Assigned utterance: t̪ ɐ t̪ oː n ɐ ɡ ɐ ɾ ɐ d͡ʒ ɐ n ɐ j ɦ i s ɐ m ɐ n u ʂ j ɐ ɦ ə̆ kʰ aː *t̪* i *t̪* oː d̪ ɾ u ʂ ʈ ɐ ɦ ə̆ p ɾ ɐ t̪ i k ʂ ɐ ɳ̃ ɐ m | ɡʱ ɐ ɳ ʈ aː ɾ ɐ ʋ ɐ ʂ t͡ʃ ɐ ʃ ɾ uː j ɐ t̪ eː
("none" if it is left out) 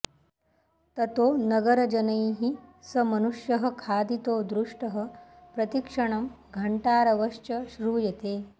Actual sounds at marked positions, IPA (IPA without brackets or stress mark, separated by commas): d̪, t̪